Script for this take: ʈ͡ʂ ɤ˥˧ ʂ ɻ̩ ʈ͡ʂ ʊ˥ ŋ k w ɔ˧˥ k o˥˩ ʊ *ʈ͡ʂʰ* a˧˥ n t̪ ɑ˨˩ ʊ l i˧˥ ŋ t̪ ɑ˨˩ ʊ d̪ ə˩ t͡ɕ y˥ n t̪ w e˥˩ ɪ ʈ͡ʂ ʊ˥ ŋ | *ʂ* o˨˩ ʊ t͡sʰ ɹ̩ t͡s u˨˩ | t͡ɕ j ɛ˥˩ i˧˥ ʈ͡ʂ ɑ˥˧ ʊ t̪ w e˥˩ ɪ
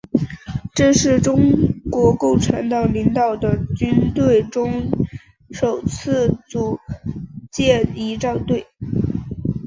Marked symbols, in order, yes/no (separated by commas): yes, yes